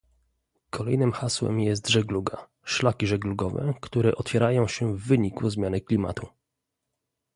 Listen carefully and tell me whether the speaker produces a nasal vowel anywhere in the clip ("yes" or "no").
yes